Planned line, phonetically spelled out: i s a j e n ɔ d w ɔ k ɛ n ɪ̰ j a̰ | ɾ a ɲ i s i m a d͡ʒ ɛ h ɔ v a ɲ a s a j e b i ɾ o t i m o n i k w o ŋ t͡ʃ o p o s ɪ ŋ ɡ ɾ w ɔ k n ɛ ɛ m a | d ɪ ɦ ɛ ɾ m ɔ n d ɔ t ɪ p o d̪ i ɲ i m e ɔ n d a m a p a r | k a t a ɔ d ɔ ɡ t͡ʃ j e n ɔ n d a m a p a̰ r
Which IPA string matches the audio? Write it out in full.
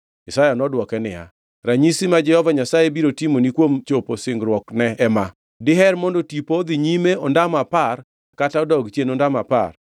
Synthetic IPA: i s a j a n ɔ d w ɔ k ɛ n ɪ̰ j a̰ | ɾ a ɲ i s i m a d͡ʒ ɛ h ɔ v a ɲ a s a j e b i ɾ o t i m o n i k w o m t͡ʃ o p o s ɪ ŋ ɡ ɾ w ɔ k n ɛ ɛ m a | d ɪ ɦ ɛ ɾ m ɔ n d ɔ t i p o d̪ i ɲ i m e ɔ n d a m a p a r | k a t a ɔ d ɔ ɡ t͡ʃ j e n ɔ n d a m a p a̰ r